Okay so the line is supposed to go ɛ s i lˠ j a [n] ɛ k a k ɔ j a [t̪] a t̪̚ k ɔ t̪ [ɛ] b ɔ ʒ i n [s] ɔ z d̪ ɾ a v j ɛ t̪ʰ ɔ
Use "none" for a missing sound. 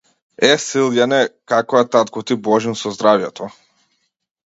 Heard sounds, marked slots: n, t̪, i, s

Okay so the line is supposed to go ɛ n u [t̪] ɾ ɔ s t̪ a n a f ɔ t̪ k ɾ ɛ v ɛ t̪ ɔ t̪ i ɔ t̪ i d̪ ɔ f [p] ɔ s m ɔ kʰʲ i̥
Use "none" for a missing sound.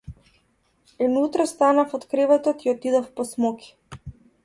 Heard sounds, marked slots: t̪, p

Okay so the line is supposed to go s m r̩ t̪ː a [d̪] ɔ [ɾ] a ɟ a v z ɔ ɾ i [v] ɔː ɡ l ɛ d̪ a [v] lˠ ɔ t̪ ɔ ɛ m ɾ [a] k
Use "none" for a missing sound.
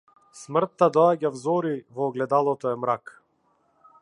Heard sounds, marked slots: d̪, none, v, none, a

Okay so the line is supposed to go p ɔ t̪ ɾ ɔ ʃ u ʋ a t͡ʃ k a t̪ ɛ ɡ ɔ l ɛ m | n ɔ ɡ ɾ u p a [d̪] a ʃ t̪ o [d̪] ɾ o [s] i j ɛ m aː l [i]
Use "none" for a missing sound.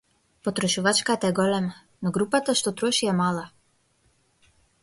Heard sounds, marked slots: t̪, t̪, ʃ, a

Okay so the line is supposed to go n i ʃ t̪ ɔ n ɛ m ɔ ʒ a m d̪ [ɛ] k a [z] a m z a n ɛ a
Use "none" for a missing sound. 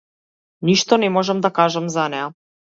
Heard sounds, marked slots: a, ʒ

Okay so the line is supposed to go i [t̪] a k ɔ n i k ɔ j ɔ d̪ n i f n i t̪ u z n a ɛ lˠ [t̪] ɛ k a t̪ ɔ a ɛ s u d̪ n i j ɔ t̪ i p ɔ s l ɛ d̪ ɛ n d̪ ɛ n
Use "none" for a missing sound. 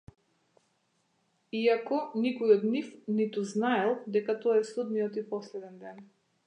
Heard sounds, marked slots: none, d̪

